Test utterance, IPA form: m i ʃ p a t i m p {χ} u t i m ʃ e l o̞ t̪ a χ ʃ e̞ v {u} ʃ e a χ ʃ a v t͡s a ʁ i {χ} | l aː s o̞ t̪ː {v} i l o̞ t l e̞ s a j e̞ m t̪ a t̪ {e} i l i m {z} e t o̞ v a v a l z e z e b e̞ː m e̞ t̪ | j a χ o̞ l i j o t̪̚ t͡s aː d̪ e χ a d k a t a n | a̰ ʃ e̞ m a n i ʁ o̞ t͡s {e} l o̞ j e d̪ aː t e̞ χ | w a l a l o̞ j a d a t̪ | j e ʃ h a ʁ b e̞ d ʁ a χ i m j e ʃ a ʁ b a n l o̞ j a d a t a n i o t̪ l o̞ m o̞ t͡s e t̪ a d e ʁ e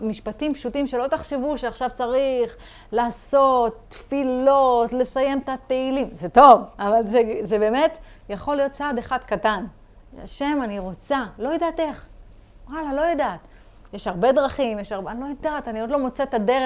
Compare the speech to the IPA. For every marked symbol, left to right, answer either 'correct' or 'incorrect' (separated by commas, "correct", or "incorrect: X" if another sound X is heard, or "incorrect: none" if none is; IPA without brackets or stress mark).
incorrect: ʃ, correct, correct, incorrect: f, correct, correct, incorrect: a